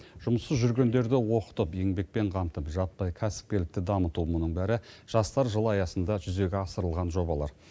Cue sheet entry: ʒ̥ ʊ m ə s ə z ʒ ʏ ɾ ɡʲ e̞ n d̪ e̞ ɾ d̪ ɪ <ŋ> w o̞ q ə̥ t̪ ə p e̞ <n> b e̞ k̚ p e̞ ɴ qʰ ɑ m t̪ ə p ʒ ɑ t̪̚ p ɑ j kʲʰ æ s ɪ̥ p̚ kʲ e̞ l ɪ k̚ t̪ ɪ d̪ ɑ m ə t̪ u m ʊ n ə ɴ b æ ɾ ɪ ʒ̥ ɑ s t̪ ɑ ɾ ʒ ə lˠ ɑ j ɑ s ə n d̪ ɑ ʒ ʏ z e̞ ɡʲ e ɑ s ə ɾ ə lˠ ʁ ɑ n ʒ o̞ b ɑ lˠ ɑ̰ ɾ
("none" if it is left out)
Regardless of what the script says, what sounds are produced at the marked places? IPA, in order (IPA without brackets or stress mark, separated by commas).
none, ŋ